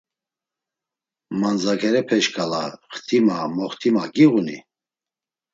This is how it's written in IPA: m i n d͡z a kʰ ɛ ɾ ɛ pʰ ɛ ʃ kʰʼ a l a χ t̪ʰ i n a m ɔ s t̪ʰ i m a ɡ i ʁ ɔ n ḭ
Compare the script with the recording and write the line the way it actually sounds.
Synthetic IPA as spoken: m a n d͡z a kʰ ɛ ɾ ɛ pʰ ɛ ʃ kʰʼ a l a χ t̪ʰ i m a m ɔ χ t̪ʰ i m a ɡ i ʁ u n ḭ